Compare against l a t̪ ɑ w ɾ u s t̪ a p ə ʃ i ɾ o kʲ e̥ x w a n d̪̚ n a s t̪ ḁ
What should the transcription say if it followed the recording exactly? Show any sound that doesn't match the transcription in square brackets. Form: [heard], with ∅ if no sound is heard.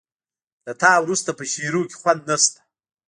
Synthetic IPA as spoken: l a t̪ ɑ w ɾ u s t̪ a p ə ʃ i ɾ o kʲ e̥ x w a n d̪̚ n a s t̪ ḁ